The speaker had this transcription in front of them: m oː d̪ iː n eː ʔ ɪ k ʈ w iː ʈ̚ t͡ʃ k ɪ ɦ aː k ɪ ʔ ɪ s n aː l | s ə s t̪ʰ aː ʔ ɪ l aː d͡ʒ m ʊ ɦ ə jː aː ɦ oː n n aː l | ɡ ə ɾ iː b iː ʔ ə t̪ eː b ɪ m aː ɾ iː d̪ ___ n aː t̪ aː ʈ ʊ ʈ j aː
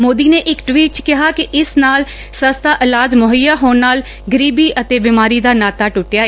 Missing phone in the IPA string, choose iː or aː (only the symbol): aː